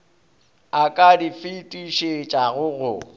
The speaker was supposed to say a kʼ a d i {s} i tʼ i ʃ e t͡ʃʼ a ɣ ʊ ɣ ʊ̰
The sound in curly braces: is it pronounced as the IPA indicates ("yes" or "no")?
no